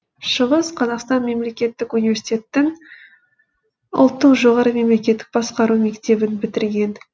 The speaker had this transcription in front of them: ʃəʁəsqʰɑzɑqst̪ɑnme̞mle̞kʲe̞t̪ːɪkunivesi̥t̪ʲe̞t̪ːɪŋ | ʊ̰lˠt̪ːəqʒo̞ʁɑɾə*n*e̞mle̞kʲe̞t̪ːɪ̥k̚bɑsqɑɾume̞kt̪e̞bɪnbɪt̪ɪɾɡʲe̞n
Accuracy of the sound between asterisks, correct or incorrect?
incorrect: m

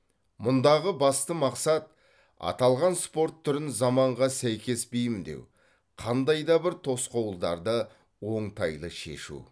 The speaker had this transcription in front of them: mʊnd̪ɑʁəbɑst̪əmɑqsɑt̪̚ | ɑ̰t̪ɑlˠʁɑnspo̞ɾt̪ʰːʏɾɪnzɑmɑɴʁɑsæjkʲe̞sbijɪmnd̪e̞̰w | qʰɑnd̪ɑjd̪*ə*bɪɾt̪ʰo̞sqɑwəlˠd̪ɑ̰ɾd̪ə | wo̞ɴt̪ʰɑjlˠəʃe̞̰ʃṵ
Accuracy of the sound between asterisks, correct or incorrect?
incorrect: ɑ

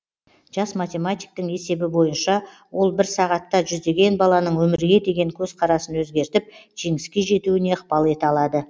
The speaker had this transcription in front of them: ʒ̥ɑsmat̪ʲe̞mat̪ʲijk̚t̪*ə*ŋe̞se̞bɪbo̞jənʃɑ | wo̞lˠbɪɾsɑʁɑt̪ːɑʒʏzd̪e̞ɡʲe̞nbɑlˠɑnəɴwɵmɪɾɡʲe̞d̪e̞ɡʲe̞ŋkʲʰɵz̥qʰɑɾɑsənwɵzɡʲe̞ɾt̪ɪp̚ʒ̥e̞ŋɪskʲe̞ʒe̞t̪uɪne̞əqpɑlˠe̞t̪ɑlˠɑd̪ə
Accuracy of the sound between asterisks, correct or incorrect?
correct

